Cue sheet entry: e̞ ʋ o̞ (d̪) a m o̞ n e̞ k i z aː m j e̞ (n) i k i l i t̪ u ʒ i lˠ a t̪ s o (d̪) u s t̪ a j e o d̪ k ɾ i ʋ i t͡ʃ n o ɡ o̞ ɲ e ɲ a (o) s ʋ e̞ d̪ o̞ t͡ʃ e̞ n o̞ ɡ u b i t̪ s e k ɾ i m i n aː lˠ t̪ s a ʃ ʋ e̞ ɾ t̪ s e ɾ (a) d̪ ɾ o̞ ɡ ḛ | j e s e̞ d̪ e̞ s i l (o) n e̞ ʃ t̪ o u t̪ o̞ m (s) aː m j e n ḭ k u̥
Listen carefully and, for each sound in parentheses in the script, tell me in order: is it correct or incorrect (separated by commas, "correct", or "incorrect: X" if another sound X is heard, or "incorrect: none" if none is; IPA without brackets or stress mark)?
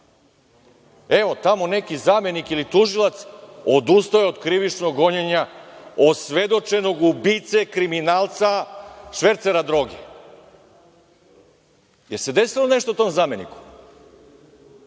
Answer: incorrect: t̪, correct, correct, correct, correct, correct, incorrect: z